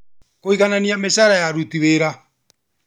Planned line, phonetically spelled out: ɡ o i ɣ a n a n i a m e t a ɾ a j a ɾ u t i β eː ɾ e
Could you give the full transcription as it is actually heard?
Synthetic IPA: k o i ɣ a n a n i a m e s a ɾ a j a ɾ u t i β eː ɾ a